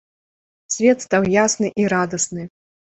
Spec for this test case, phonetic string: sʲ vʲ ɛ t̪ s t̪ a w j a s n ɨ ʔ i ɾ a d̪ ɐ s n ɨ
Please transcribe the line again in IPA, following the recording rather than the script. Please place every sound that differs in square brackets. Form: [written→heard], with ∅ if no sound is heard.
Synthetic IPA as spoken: sʲ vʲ ɛ t̪ s t̪ a w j a s n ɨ ʔ i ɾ a d̪ ɐ s n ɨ